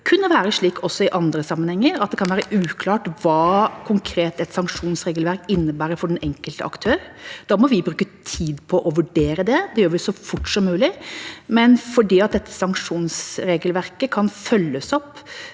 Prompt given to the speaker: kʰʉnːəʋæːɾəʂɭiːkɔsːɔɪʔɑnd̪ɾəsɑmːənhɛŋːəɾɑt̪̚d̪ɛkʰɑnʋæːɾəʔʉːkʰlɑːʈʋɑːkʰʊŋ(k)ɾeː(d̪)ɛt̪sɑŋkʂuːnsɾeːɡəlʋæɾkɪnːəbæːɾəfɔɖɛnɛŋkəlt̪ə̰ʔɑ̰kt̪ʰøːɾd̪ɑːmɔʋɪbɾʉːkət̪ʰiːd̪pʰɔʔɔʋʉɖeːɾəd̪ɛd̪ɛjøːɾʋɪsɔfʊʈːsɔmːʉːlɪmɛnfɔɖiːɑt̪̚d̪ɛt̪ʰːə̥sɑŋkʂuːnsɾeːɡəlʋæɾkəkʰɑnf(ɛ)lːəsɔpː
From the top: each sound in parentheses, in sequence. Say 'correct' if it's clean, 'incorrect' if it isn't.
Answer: incorrect: kʰ, incorrect: t̪, incorrect: œ

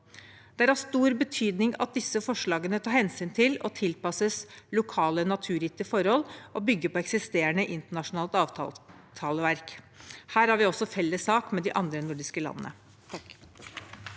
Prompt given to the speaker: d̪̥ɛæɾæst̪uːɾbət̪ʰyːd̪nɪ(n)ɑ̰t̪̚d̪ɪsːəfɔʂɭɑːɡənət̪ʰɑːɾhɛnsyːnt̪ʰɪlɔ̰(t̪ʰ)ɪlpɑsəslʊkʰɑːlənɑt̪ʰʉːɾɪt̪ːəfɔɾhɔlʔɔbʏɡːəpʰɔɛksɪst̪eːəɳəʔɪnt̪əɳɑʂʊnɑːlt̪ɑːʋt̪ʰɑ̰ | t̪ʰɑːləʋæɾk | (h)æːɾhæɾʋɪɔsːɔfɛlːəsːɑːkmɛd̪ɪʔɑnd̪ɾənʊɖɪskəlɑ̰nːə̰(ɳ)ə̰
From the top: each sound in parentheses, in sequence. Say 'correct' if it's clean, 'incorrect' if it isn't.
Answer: incorrect: ŋ, correct, correct, incorrect: n

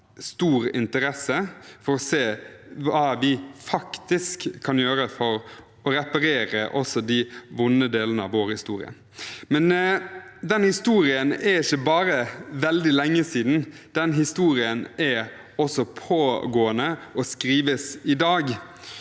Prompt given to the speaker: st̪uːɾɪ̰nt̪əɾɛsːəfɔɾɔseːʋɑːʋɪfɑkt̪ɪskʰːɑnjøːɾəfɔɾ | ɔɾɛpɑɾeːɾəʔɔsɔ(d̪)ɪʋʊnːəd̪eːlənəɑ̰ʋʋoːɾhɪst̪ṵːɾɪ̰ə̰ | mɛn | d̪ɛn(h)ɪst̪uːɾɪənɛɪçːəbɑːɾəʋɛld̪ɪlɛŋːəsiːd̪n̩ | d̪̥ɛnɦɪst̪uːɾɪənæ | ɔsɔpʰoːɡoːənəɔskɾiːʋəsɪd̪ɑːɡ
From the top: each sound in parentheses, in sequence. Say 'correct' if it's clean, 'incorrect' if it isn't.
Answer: correct, correct

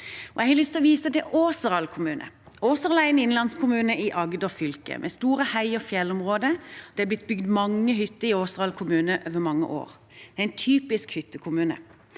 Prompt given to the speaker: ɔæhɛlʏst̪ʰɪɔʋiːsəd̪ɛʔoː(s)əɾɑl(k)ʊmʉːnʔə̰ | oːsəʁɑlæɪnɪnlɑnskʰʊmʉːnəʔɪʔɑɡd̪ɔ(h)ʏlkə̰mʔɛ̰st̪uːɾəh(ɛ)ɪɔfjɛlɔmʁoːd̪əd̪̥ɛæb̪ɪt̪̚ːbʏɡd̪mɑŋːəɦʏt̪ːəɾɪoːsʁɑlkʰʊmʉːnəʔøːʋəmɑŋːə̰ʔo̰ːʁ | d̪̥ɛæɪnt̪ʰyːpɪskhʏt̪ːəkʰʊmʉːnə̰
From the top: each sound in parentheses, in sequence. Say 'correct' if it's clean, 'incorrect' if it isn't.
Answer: correct, incorrect: kʰ, incorrect: f, incorrect: æ

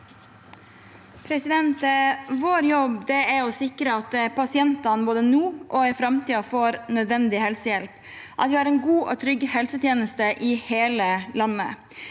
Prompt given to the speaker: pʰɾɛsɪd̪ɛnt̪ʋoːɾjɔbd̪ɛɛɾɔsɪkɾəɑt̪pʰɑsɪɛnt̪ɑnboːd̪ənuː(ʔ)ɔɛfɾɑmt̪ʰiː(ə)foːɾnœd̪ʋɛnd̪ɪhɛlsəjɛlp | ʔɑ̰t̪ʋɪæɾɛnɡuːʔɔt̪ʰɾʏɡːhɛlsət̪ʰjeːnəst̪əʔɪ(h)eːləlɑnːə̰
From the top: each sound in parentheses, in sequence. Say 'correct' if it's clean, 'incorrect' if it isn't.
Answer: correct, incorrect: ɑ, correct

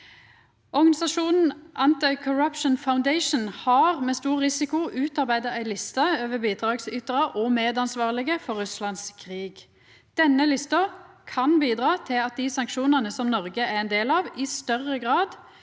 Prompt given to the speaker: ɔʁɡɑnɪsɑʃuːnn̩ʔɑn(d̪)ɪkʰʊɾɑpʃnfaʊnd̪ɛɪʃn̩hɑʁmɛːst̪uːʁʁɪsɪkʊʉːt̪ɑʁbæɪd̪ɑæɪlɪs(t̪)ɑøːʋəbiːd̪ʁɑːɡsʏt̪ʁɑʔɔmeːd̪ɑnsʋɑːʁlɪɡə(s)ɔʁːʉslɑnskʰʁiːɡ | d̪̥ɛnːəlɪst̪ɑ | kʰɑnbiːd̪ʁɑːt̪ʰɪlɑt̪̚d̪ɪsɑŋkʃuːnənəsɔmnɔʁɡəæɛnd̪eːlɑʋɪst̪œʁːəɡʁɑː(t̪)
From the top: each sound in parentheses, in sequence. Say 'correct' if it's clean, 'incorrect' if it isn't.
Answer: incorrect: t̪, correct, incorrect: f, incorrect: d̪

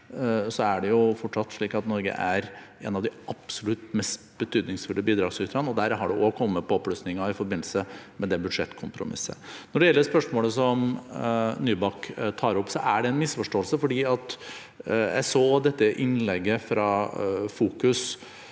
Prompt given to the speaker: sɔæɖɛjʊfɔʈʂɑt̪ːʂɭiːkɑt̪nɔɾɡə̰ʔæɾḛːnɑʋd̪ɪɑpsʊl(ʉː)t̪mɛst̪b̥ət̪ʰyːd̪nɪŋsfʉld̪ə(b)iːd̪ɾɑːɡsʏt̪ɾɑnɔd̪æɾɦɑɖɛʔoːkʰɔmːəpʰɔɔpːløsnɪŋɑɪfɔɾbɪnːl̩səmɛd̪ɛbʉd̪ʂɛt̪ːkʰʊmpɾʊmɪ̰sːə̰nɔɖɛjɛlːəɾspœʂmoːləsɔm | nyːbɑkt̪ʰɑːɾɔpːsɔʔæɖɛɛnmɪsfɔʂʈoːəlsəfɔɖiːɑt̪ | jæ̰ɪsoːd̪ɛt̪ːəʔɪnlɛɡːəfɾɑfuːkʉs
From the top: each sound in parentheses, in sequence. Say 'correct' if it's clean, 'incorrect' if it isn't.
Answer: incorrect: ʉ, correct

